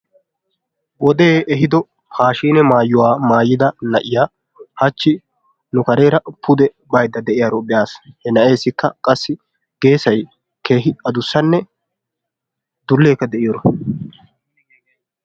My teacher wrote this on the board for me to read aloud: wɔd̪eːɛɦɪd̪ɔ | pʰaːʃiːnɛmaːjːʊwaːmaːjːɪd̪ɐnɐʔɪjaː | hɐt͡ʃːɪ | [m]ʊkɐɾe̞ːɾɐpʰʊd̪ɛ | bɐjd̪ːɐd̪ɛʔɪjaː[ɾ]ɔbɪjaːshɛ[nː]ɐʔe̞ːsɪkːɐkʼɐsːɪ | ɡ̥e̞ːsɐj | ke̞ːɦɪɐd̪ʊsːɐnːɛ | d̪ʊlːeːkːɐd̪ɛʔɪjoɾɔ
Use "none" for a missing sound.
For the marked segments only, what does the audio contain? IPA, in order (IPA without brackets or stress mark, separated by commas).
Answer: n, ɾ, n